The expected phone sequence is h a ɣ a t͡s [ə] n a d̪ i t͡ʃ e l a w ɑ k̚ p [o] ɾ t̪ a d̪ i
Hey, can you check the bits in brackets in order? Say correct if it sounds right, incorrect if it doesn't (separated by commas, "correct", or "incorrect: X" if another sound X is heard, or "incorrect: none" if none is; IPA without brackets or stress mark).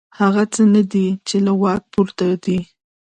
correct, incorrect: u